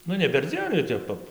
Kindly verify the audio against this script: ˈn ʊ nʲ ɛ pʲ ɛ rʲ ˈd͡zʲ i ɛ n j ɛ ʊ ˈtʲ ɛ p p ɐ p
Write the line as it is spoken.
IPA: ˈn ʊ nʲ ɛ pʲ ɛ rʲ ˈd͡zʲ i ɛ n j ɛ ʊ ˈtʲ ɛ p p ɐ p